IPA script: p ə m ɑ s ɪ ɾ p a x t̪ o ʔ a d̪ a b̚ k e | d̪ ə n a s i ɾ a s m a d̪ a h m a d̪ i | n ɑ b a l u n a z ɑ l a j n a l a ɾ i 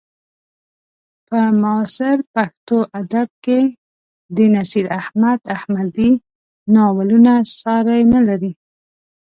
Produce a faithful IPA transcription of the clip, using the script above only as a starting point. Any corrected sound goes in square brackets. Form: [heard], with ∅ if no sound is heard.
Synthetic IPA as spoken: p ə m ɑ s ɪ ɾ p a x t̪ o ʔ a d̪ a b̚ k e | d̪ ə n a s i ɾ a [h] m a d̪ a h m a d̪ i | n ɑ [w] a l u n a [s] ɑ [ɾ] a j n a l a ɾ i